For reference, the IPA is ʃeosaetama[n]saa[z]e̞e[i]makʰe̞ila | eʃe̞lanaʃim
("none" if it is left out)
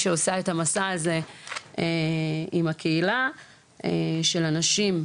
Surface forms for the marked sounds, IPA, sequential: none, z, i

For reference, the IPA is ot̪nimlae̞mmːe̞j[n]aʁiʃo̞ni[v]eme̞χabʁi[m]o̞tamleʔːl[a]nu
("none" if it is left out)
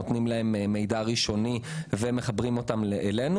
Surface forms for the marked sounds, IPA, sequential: d, v, m, e

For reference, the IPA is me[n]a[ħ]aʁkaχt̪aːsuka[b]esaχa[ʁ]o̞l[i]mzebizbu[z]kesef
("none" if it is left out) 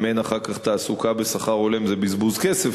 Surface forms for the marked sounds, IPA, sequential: n, χ, b, ʁ, e, z

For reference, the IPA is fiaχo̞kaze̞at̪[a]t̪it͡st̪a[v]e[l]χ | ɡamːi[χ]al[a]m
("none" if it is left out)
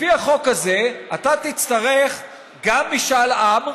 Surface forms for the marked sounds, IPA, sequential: a, ʁ, none, ʃ, a

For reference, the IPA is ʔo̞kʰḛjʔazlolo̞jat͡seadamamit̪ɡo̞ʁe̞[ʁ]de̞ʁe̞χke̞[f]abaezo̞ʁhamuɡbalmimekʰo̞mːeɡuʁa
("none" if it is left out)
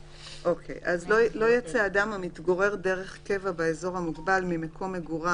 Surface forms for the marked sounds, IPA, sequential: ʁ, v

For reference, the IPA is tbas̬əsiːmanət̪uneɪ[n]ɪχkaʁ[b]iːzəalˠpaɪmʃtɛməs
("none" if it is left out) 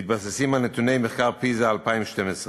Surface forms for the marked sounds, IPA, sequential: m, p

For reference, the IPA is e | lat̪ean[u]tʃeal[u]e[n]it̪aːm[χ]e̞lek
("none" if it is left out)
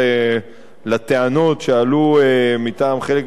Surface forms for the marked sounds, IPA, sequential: o, u, m, χ

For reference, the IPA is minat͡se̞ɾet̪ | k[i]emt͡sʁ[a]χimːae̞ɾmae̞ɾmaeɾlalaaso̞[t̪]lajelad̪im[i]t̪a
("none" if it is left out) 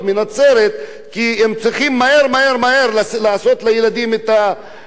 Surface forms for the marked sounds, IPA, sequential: i, i, t̪, e

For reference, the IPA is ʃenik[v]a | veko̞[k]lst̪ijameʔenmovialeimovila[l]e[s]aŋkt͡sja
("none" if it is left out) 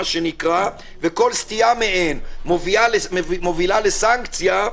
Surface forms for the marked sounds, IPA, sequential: ʁ, none, l, s

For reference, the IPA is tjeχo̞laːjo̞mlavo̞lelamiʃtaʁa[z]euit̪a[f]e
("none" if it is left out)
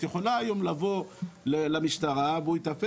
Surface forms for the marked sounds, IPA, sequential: v, f

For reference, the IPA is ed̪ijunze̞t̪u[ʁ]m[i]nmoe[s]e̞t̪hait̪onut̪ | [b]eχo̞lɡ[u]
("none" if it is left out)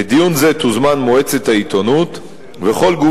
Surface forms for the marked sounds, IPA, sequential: z, a, t͡s, v, u

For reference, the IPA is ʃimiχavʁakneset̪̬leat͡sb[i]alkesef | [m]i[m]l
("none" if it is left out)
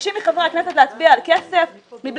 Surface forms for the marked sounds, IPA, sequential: i, m, b

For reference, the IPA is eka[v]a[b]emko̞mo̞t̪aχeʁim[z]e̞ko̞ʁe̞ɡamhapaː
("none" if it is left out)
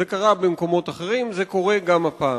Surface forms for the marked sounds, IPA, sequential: ʁ, b, z

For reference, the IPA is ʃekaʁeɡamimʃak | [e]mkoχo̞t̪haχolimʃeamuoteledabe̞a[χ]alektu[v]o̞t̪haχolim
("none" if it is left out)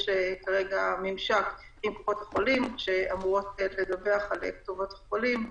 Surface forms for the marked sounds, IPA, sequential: i, χ, v

